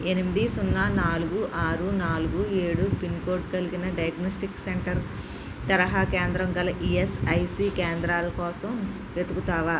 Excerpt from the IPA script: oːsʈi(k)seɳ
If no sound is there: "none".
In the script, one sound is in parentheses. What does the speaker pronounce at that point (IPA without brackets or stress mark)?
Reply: k